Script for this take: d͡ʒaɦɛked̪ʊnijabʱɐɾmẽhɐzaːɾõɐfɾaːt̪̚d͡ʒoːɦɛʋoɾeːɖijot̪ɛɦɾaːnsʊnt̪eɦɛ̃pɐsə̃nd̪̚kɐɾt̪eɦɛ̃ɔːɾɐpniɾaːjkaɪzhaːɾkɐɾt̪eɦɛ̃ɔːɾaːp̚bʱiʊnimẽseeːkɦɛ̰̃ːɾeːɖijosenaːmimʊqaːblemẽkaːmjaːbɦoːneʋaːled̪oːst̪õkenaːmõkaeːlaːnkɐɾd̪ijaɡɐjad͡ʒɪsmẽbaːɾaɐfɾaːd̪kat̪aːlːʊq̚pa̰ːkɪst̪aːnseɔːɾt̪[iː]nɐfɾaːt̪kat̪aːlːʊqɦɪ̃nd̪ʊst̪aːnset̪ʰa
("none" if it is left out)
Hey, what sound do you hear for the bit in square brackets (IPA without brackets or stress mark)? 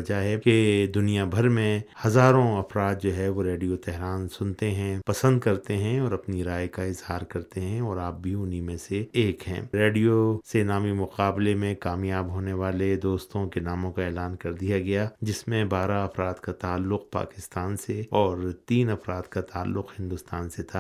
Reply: iː